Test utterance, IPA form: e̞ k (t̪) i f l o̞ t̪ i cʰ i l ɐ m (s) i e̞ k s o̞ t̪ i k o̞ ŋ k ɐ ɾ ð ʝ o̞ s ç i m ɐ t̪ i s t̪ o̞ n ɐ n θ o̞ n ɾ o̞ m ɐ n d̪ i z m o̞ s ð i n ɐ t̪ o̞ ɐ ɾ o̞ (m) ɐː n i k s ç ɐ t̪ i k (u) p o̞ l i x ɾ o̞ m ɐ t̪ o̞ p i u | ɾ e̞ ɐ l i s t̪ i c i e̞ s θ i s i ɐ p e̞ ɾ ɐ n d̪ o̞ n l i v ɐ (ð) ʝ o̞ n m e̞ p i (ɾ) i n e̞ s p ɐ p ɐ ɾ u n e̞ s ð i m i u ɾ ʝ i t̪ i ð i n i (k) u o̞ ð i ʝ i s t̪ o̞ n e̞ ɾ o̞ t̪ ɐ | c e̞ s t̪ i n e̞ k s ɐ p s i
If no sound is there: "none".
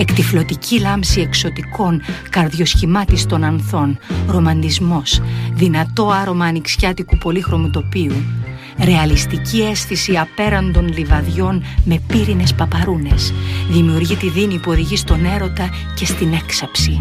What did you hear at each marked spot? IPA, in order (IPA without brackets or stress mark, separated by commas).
t̪, s, m, u, ð, ɾ, p